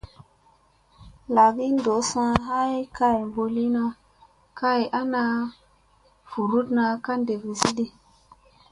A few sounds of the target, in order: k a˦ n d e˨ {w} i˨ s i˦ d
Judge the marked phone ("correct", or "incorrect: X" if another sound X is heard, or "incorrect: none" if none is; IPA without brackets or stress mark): incorrect: v